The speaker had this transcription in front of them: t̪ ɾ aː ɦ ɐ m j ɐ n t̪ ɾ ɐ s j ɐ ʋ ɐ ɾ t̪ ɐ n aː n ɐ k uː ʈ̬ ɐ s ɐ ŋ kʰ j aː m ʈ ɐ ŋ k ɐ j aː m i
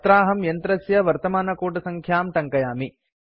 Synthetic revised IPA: t̪ ɾ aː ɦ ɐ m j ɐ n t̪ ɾ ɐ s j ɐ ʋ ɐ ɾ t̪ ɐ m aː n ɐ k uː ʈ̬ ɐ s ɐ ŋ kʰ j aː m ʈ ɐ ŋ k ɐ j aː m i